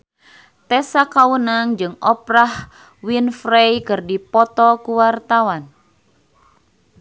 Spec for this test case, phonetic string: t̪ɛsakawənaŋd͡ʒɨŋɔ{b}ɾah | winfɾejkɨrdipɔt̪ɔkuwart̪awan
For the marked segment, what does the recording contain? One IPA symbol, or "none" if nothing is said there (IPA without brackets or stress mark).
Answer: p